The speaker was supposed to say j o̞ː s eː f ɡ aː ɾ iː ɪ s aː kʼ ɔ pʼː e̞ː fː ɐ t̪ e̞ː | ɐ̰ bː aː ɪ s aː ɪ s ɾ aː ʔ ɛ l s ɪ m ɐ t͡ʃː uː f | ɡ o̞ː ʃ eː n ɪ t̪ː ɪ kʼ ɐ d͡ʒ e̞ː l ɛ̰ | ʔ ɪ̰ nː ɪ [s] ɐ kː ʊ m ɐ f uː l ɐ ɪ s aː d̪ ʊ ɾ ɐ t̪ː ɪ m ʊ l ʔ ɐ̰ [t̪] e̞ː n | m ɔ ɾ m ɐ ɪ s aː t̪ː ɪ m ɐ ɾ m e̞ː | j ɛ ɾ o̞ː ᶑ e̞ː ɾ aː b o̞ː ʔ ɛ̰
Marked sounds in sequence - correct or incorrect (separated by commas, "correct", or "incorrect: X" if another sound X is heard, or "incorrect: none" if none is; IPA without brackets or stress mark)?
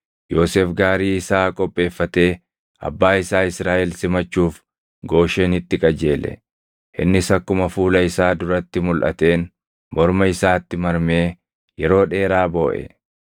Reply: correct, correct